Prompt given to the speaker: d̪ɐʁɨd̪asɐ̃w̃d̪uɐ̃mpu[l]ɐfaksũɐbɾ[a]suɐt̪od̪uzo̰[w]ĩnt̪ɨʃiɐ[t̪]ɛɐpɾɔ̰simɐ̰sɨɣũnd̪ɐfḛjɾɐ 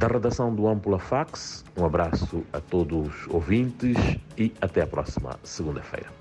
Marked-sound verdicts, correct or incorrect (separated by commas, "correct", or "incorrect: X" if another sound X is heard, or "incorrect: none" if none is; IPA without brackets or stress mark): correct, correct, incorrect: v, correct